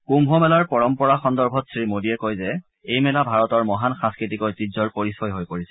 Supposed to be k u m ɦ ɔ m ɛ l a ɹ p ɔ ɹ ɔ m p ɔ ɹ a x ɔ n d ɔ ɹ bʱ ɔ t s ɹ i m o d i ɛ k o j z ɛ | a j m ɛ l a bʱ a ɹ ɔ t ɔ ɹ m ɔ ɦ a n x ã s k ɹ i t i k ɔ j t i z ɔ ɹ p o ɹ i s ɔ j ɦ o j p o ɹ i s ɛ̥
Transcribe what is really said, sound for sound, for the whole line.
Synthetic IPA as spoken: k u m ɦ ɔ m ɛ l a ɹ p ɔ ɹ ɔ m p ɔ ɹ a x ɔ n d ɔ ɹ bʱ ɔ t s ɹ i m o d i ɛ k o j z ɛ | e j m ɛ l a bʱ a ɹ ɔ t ɔ ɹ m ɔ ɦ a n x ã s k ɹ i t i k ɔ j t i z ɔ ɹ p o ɹ i s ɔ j ɦ o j p o ɹ i s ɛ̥

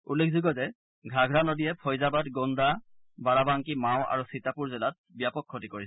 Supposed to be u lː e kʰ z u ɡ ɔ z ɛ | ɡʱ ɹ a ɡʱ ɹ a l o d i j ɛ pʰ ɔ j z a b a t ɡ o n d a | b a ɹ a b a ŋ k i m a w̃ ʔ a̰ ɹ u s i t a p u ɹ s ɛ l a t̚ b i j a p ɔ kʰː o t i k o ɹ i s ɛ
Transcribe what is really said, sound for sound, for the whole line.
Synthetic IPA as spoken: u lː e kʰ z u ɡ ɔ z ɛ | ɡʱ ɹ a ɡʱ ɹ a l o d i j ɛ pʰ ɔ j z a b a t ɡ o n d a | b a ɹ a b a ŋ k i m a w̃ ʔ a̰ ɹ u s i t a p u ɹ z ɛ l a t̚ b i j a p ɔ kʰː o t i k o ɹ i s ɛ

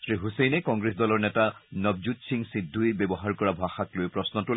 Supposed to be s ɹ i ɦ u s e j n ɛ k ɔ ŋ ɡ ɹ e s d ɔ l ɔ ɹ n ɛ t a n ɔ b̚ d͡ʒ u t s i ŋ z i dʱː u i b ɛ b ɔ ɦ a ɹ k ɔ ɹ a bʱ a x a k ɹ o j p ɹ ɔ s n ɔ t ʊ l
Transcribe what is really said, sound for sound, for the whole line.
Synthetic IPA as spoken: s ɹ i ɦ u s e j n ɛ k ɔ ŋ ɡ ɹ e s d ɔ l ɔ ɹ n ɛ t a n ɔ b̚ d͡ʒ u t s i ŋ s i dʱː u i b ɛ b ɔ ɦ a ɹ k ɔ ɹ a bʱ a x a k l o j p ɹ ɔ s n ɔ t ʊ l

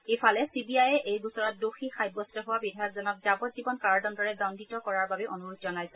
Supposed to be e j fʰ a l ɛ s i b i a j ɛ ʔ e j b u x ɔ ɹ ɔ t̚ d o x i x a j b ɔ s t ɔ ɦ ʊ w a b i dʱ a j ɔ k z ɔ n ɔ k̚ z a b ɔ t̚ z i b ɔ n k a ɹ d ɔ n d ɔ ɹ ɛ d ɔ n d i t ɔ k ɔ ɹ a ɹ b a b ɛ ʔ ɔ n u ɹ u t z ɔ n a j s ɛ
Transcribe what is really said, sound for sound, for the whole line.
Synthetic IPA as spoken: e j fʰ a l ɛ s i b i a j ɛ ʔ e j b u s ɔ ɹ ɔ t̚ d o x i x a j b ɔ s t ɔ ɦ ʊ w a b i dʱ a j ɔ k z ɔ n ɔ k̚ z a b ɔ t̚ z i b ɔ n k a ɹ d ɔ n d ɔ ɹ ɛ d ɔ n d i t ɔ k ɔ ɹ a ɹ b a b ɛ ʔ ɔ n u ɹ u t z ɔ n a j s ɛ

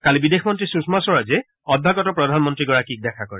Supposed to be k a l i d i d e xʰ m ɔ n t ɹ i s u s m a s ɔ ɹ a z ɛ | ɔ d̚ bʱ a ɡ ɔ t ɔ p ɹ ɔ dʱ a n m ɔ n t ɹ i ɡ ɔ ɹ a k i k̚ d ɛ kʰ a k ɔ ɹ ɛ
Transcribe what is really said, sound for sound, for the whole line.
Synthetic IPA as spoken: k a l i b i d e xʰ m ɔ n t ɹ i s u s m a s ɔ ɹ a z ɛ | ɔ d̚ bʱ a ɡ ɔ t ɔ p ɹ ɔ dʱ a n m ɔ n t ɹ i ɡ ɔ ɹ a k i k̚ d ɛ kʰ a k ɔ ɹ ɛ

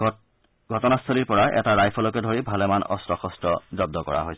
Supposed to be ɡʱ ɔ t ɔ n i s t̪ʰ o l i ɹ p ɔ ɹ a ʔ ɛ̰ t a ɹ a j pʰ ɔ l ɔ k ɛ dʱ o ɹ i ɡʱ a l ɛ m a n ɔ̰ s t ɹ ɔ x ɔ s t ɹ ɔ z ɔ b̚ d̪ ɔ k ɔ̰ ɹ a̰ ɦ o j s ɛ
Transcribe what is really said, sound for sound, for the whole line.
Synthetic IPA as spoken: ɡʱ ɔ t ɔ n a s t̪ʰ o l i ɹ p ɔ ɹ a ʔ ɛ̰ t a ɹ a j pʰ ɔ l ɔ k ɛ dʱ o ɹ i bʱ a l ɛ m a n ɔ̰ s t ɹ ɔ x ɔ s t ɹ ɔ z ɔ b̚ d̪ ɔ k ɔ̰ ɹ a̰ ɦ o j s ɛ

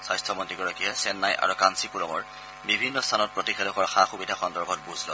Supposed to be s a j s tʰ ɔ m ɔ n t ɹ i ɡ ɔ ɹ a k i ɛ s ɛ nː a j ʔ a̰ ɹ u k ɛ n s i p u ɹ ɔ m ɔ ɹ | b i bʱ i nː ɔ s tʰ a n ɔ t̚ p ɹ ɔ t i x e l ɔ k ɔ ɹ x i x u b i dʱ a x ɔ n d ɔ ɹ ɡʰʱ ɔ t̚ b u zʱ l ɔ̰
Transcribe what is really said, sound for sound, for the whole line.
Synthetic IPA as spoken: s a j s tʰ ɔ m ɔ n t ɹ i ɡ ɔ ɹ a k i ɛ s ɛ nː a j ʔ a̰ ɹ u k a n s i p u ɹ ɔ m ɔ ɹ | b i bʱ i nː ɔ s tʰ a n ɔ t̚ p ɹ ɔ t i x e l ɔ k ɔ ɹ x a x u b i dʱ a x ɔ n d ɔ ɹ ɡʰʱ ɔ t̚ b u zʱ l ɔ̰

